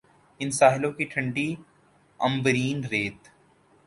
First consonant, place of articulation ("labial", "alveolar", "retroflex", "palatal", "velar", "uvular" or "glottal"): alveolar